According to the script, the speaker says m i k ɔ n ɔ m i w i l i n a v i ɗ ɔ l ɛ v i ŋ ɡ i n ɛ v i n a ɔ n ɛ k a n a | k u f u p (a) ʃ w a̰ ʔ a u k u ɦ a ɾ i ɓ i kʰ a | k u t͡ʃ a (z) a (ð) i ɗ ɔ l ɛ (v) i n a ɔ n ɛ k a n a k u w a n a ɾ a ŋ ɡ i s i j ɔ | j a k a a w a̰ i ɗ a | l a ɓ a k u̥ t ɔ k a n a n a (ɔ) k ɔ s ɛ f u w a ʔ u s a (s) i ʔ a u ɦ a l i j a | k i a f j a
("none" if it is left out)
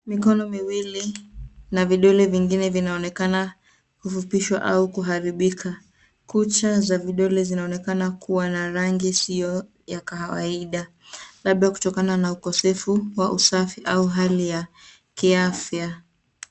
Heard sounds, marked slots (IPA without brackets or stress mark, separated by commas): i, z, v, z, u, f